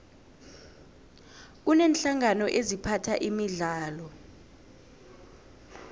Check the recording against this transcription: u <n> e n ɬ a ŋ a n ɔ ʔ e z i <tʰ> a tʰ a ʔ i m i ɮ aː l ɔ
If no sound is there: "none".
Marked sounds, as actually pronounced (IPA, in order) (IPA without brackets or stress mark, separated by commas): n, pʰ